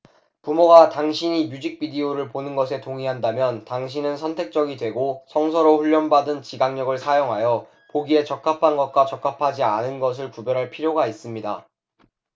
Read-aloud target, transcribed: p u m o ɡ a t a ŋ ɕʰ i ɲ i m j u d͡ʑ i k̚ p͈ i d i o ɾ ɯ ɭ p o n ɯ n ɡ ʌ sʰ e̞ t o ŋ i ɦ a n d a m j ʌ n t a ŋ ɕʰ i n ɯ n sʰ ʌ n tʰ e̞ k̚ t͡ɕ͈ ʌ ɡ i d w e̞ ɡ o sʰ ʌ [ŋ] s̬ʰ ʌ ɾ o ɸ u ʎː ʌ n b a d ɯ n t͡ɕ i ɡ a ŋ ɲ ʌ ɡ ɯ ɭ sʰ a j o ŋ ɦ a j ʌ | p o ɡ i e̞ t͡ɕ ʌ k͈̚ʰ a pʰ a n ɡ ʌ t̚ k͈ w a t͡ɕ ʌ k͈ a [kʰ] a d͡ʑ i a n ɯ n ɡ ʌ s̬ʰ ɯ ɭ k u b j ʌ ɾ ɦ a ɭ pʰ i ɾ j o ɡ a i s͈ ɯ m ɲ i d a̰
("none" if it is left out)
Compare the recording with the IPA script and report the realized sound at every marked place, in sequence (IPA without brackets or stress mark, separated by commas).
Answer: ŋ, pʰ